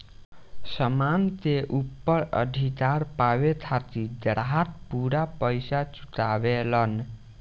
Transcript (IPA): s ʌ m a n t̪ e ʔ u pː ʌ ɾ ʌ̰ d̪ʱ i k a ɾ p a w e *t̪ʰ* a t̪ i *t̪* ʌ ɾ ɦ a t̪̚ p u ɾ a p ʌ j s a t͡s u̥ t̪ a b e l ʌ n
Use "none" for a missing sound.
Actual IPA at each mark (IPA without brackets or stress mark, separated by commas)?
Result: t̪ʰ, d̪